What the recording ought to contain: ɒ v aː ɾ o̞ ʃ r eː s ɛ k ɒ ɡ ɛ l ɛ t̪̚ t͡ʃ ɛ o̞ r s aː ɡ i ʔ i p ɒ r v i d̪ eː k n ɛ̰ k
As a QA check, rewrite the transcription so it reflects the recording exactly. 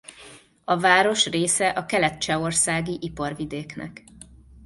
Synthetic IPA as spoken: ɒ v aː ɾ o̞ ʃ r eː s ɛ ʔ ɒ k ɛ l ɛ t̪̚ t͡ʃ ɛ o̞ r s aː ɡ i ʔ i p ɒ r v i d̪ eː k n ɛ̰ k